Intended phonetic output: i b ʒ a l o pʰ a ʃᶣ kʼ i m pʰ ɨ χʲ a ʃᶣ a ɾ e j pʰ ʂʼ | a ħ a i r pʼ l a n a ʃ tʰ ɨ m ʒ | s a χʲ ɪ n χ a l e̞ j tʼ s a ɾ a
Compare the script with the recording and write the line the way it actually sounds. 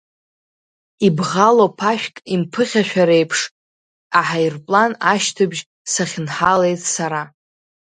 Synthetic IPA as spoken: i b ʁ a l o pʰ a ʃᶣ kʼ i m pʰ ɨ χʲ a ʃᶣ a ɾ e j pʰ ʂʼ | a ħ a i r pʼ l a n a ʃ tʰ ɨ b ʒ | s a χʲ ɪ n ħ a l e̞ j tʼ s a ɾ a